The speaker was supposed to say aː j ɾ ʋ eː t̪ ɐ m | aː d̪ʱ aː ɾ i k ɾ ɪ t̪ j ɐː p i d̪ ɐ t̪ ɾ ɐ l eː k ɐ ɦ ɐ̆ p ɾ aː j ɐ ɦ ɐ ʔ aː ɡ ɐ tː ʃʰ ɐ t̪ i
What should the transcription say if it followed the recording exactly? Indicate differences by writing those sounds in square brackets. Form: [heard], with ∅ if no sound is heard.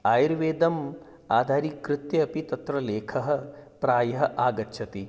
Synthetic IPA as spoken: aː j ɾ ʋ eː [d̪] ɐ m | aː d̪ʱ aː ɾ i k ɾ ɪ t̪ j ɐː p i [t̪] ɐ t̪ ɾ ɐ l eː [kʰ] ɐ ɦ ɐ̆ p ɾ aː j ɐ ɦ ɐ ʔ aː ɡ ɐ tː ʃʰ ɐ t̪ i